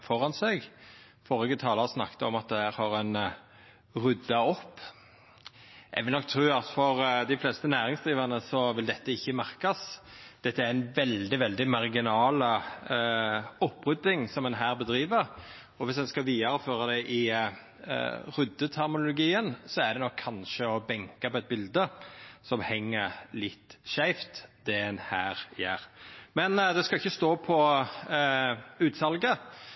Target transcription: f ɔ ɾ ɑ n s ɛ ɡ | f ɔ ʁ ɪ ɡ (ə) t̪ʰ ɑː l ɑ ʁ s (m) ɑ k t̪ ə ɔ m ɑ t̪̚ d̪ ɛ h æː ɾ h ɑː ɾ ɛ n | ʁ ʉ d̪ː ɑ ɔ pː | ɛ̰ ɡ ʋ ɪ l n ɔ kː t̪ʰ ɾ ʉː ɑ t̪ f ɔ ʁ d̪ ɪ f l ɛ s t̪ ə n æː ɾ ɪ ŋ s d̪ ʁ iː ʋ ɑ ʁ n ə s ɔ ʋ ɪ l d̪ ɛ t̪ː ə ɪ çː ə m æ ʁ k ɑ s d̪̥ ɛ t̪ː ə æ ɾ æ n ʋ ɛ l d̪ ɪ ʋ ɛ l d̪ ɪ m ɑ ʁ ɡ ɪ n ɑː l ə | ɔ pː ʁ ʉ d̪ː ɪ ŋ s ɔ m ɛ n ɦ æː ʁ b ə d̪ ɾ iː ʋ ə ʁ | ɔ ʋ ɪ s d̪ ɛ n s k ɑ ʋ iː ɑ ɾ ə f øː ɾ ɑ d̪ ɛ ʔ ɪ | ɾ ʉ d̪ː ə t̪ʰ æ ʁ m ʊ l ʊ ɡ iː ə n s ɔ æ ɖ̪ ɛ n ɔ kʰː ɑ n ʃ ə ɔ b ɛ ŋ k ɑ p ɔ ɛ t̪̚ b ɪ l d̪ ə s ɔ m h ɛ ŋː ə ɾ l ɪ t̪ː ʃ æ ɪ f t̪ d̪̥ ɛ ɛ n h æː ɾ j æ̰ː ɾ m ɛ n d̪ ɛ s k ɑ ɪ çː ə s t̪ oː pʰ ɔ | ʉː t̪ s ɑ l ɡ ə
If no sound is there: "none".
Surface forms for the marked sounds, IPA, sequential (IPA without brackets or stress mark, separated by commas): ə, n